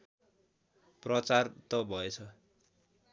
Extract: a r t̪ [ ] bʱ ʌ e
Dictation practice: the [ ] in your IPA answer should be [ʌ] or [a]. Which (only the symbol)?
ʌ